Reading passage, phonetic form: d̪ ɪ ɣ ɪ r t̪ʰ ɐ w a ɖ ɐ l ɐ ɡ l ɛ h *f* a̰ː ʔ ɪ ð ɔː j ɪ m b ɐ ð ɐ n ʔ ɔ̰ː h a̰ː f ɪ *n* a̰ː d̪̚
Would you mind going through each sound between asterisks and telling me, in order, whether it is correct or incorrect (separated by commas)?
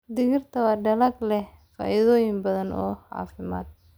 correct, incorrect